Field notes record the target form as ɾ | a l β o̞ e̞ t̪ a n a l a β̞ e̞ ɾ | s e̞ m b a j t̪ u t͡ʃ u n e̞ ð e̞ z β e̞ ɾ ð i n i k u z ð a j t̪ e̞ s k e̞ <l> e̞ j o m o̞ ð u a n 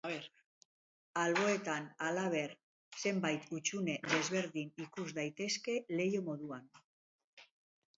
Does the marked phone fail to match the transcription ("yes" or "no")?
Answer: no